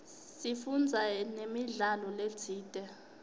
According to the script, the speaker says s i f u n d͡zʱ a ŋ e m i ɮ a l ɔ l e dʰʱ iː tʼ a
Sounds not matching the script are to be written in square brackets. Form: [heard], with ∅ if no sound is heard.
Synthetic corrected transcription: s i f u n d͡zʱ a [n] e m i ɮ a l ɔ l e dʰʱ iː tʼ [ɛ]